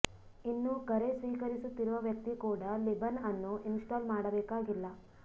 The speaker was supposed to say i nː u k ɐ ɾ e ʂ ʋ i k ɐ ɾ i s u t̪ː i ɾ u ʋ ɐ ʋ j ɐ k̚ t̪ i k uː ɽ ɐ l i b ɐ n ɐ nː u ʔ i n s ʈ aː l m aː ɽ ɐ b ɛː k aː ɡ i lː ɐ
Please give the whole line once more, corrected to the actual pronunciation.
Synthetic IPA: i nː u k ɐ ɾ e s ʋ iː k ɐ ɾ i s u t̪ː i ɾ u ʋ ɐ ʋ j ɐ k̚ t̪ i k uː ɽ ɐ l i b ɐ n ɐ nː u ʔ i n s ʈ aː l m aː ɽ ɐ b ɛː k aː ɡ i lː ɐ